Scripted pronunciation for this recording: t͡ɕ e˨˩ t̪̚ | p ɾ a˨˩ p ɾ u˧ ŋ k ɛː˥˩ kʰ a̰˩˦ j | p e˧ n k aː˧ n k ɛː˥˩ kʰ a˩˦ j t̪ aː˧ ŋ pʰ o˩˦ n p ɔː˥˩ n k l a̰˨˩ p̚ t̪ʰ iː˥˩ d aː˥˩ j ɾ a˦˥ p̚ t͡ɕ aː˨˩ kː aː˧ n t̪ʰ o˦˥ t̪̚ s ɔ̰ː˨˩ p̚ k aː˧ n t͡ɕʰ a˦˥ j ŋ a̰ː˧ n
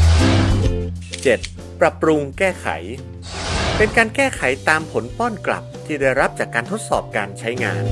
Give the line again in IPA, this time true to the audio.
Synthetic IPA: t͡ɕ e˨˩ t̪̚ | p ɾ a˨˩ p ɾ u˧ ŋ k ɛː˥˩ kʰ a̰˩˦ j | p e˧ n k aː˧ n k ɛː˥˩ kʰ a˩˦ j t̪ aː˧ m pʰ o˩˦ n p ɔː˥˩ n k l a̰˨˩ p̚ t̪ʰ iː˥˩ d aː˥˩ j ɾ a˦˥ p̚ t͡ɕ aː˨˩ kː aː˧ n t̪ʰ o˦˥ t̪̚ s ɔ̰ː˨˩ p̚ k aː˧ n t͡ɕʰ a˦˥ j ŋ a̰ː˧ n

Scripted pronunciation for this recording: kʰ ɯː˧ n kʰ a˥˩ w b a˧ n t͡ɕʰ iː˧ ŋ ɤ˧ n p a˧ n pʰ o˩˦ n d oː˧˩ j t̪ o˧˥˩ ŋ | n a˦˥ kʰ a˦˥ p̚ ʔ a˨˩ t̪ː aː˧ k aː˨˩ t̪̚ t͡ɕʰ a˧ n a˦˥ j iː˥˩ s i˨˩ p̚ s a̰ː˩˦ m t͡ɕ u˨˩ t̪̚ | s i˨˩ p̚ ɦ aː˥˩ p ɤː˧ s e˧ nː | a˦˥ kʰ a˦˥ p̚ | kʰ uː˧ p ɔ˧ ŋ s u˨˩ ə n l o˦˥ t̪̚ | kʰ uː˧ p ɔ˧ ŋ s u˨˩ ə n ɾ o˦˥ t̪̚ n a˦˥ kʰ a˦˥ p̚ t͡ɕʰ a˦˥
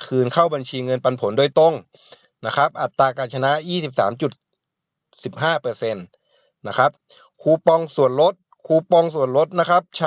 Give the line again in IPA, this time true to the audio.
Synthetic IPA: kʰ ɯː˧ n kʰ a˥˩ w b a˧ n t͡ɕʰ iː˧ ŋ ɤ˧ n p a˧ n pʰ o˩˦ n d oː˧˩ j t̪ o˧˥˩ ŋ | n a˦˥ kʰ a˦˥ p̚ ʔ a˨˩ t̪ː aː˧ k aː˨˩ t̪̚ t͡ɕʰ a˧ n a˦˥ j iː˥˩ s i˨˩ p̚ s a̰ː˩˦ m t͡ɕ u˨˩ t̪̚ | s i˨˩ p̚ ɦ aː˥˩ p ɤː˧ s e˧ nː | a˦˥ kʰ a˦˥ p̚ | kʰ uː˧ p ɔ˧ ŋ s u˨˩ ə n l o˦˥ t̪̚ | kʰ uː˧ p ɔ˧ ŋ s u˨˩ ə n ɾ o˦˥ t̪̚ n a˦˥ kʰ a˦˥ p̚ t͡ɕʰ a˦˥

